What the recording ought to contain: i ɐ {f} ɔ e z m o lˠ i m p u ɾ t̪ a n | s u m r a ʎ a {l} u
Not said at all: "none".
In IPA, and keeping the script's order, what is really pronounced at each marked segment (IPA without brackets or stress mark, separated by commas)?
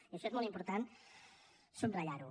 ʃ, ɾ